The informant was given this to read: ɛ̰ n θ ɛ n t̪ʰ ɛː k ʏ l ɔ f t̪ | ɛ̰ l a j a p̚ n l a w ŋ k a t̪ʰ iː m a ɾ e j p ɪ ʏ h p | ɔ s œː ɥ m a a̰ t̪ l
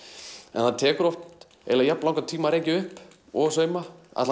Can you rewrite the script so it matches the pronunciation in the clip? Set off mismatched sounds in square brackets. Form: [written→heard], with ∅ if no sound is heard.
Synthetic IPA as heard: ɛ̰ n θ [ɛ→a] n t̪ʰ ɛː k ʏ [l→ɾ] ɔ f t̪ | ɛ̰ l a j a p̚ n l a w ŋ k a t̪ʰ iː m a ɾ e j [p→c] ɪ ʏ h p | ɔ s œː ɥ m a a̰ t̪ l